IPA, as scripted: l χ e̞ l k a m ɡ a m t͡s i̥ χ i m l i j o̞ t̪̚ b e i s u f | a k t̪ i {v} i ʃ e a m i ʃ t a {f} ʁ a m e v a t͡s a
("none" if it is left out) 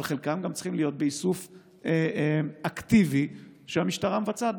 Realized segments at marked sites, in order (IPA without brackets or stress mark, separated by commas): v, none